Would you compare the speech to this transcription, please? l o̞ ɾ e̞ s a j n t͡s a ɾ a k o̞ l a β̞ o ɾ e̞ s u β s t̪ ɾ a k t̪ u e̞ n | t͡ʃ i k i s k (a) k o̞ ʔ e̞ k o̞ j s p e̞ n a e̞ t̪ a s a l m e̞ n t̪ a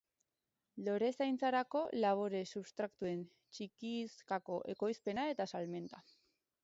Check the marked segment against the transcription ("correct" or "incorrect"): correct